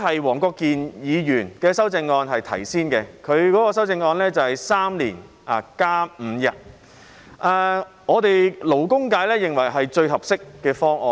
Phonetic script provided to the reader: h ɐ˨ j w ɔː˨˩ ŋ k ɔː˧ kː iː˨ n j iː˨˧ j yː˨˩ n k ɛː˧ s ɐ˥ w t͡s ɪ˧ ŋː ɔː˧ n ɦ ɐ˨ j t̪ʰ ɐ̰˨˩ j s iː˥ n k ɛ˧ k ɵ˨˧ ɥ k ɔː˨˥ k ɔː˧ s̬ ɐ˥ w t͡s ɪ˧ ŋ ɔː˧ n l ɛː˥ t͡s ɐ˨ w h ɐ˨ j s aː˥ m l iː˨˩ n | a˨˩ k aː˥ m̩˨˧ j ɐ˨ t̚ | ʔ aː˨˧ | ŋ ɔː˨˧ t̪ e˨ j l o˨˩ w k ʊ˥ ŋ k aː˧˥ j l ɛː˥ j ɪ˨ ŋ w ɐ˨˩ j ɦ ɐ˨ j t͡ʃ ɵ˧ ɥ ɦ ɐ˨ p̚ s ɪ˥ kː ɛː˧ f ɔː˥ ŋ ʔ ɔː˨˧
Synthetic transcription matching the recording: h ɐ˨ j w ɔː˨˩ ŋ k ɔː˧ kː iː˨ n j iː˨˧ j yː˨˩ n k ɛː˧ s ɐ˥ w t͡s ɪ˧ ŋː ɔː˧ n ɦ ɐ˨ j t̪ʰ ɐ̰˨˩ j s iː˥ n k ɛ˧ kʰ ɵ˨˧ ɥ k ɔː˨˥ k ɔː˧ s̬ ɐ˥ w t͡s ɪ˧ ŋ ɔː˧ n l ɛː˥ t͡s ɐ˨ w h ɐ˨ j s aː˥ m l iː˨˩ n | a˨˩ k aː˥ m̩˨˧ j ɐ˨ t̚ | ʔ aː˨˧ | ŋ ɔː˨˧ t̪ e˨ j l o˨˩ w k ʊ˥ ŋ k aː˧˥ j l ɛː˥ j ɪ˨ ŋ w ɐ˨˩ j ɦ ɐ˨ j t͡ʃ ɵ˧ ɥ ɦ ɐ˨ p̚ s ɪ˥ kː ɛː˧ f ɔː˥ ŋ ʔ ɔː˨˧